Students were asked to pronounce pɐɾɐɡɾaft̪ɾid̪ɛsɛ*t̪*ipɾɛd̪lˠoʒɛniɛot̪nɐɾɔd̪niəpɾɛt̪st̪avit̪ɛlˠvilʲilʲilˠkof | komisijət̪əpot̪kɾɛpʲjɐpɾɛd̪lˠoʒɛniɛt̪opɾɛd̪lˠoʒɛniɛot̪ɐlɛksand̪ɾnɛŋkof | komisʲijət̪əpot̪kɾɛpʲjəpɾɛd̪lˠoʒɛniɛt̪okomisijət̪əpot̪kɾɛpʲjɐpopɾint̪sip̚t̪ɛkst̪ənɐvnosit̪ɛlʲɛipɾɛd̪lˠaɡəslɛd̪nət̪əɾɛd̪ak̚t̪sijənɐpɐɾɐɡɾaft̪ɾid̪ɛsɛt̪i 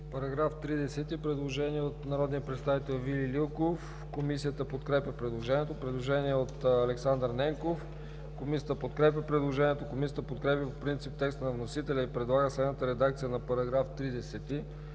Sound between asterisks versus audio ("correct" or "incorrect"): correct